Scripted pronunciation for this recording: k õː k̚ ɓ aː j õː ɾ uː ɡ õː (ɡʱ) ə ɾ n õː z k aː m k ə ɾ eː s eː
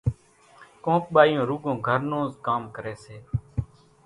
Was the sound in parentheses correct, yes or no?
yes